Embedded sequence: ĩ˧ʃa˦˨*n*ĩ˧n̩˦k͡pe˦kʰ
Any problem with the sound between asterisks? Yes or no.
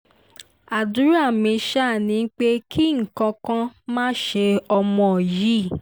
no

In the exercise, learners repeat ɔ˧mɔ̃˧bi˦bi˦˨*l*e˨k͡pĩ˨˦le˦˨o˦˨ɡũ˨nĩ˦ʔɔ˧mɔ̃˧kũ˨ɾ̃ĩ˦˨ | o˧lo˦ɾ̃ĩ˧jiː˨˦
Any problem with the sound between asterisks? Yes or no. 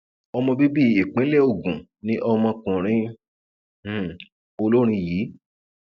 yes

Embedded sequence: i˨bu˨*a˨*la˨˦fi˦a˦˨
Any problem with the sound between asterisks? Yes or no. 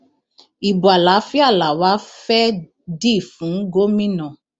no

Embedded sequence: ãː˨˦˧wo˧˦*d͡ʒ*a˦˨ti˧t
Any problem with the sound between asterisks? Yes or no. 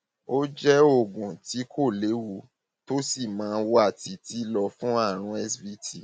yes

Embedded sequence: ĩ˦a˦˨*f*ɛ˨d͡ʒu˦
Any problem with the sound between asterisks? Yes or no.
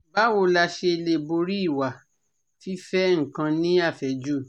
no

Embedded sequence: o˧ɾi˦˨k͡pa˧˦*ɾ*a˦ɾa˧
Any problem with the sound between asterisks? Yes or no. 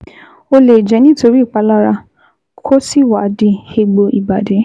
yes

